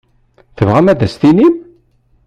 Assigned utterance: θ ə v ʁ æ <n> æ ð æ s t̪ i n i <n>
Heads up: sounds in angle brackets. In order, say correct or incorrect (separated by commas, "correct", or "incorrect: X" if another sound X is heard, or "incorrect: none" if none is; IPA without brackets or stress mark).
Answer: incorrect: m, incorrect: m